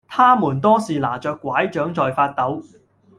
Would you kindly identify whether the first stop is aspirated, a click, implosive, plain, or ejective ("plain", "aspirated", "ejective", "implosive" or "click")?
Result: aspirated